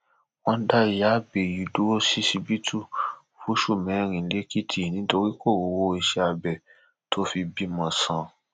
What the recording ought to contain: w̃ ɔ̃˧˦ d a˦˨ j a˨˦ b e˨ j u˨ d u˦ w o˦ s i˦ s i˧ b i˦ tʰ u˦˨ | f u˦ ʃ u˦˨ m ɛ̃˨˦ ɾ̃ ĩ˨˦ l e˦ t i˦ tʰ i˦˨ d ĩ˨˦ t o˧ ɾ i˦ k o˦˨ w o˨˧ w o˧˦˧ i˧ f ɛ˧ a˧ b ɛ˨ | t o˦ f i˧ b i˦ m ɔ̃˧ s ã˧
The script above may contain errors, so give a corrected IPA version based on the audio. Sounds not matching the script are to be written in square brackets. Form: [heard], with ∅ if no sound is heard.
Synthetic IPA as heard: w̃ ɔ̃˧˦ d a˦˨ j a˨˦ b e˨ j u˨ d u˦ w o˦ s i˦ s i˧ b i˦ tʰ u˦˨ | f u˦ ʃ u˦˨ m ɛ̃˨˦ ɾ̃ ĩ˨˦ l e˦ [k] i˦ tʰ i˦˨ [n] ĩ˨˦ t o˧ ɾ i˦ k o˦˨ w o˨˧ w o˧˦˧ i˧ [ʃ] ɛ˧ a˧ b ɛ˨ | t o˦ f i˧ b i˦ m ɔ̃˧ s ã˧